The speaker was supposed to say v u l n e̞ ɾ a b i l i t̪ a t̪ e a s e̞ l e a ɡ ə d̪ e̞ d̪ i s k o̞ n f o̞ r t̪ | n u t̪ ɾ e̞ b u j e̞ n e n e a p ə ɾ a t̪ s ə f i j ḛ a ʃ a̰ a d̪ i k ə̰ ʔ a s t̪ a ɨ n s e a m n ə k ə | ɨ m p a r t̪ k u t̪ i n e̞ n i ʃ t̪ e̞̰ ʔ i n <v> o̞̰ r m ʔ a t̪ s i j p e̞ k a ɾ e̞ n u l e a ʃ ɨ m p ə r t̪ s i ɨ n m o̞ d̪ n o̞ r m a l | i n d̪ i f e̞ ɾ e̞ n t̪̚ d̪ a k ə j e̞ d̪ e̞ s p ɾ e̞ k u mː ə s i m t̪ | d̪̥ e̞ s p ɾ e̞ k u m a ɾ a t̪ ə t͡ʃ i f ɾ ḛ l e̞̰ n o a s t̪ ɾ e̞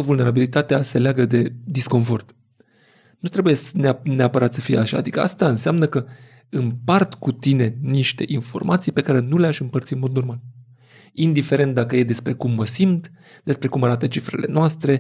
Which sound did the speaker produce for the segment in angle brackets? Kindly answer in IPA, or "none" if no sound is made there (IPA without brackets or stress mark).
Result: f